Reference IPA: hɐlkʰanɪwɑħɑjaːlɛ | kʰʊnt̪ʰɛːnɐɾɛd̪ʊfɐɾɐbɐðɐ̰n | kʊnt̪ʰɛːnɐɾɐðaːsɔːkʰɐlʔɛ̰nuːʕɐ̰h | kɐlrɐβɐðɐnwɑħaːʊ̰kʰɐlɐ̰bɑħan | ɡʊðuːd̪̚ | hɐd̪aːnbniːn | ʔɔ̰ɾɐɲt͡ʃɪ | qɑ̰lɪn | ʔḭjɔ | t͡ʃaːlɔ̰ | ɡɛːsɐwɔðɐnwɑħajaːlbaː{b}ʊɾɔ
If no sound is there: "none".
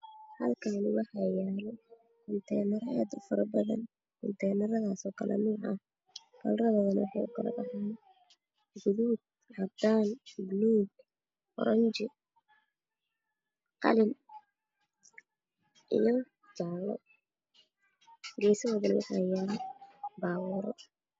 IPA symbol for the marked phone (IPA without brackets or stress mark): w